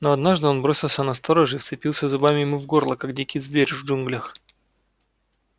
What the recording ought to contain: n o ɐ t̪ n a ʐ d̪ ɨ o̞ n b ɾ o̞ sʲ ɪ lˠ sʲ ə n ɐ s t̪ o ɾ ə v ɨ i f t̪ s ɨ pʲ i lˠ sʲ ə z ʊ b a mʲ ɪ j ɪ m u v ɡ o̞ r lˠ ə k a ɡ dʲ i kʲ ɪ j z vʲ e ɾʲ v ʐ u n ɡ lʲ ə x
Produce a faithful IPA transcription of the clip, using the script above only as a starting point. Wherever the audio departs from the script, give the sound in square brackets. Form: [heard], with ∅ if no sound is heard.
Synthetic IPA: n o ɐ [d̪] n a ʐ d̪ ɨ o̞ n b ɾ o̞ sʲ ɪ lˠ sʲ ə n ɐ s t̪ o ɾ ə [ʐ] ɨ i f t̪ s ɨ pʲ i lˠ sʲ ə z ʊ b a mʲ ɪ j ɪ m u v ɡ o̞ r lˠ ə k a ɡ dʲ i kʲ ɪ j z vʲ e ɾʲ v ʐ u n ɡ lʲ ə x